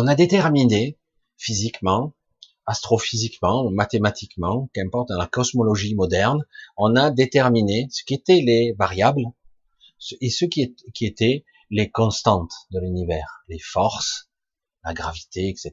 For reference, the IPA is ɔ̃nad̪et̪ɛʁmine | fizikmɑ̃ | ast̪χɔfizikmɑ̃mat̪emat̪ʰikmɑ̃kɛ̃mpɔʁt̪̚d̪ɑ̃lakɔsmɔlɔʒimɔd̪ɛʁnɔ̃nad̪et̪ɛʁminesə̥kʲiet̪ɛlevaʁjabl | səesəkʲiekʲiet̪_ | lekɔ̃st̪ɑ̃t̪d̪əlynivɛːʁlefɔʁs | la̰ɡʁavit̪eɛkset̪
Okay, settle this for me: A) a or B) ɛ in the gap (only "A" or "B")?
B